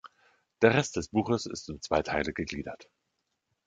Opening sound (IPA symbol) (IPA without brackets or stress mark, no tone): d̥